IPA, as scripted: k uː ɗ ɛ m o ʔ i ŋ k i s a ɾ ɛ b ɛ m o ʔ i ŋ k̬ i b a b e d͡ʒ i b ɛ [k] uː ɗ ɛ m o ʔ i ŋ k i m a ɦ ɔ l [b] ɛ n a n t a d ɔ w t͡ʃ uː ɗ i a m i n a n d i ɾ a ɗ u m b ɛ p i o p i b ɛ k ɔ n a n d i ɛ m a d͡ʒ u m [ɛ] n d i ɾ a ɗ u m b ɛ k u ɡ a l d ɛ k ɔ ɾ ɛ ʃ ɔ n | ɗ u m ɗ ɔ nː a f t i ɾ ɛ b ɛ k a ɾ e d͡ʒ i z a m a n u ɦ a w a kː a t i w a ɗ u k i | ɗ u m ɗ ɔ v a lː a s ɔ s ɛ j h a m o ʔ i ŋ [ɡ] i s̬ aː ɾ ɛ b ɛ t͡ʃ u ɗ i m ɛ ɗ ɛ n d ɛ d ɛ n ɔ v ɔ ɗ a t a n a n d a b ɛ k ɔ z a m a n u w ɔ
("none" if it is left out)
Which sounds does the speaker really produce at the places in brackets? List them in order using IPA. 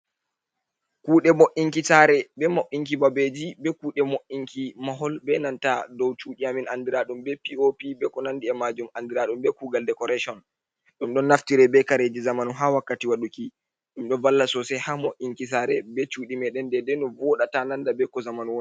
k, b, a, k

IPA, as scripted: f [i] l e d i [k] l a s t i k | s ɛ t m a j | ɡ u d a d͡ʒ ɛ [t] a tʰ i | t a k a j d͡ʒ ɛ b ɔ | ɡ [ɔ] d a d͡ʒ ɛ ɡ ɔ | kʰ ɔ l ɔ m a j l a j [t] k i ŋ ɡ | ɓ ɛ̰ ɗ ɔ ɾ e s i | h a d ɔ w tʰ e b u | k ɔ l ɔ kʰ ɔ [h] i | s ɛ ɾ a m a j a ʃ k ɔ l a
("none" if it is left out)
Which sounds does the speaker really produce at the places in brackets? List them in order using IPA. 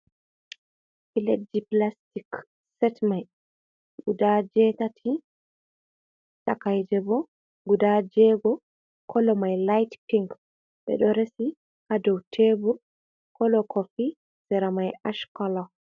i, p, t, u, t, f

